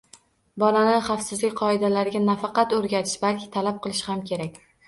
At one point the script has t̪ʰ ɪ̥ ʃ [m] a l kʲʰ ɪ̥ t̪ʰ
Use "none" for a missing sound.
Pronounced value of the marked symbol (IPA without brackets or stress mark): b